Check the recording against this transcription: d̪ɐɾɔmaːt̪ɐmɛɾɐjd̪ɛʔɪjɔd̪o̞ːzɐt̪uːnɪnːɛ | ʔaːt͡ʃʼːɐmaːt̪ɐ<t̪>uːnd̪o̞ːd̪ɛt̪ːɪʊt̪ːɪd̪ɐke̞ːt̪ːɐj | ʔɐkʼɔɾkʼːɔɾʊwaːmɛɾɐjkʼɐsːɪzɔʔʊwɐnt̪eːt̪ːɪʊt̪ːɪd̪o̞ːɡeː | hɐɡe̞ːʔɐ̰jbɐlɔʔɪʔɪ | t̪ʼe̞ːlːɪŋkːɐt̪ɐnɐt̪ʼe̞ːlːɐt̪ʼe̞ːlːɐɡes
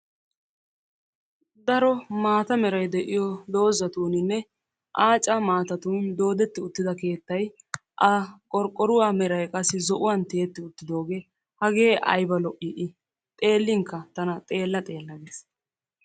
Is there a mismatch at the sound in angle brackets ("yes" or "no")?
no